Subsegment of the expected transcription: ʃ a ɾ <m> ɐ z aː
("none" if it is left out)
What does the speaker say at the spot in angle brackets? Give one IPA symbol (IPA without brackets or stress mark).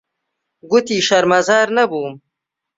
m